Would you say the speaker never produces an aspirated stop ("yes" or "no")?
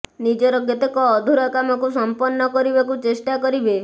yes